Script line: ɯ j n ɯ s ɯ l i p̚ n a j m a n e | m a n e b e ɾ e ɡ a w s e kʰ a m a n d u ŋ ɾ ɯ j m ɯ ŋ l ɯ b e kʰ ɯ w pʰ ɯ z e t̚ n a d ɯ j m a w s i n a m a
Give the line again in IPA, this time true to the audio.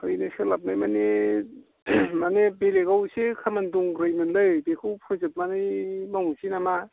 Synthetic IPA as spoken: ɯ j n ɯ s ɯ l a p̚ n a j m a n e | m a n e b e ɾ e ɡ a w s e kʰ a m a n d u ŋ ɾ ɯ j m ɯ n l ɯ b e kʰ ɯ w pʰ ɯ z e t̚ m a n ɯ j m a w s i n a m a